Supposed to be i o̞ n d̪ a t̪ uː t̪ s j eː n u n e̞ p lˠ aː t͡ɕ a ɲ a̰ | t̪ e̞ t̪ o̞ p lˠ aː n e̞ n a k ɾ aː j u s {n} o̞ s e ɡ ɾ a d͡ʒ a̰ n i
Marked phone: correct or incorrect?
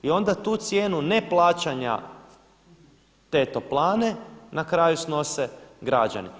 correct